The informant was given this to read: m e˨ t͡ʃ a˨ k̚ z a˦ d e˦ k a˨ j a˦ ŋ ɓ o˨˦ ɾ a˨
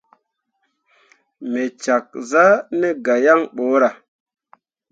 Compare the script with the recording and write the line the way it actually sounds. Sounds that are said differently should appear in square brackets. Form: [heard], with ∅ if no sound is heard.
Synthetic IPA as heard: m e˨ t͡ʃ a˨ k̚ z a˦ [n] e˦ [ɡ] a˨ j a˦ ŋ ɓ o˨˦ ɾ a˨